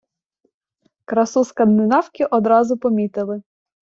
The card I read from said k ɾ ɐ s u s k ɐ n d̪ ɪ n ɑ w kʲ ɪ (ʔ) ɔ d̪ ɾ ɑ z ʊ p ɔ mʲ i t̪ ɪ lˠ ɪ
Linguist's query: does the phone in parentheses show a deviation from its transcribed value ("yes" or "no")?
no